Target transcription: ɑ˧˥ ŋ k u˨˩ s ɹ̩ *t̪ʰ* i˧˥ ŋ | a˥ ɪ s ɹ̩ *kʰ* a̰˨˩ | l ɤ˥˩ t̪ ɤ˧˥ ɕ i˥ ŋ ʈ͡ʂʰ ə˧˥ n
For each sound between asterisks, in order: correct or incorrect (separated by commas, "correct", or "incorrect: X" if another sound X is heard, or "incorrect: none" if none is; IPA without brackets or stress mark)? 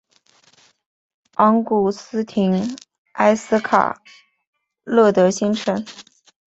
correct, correct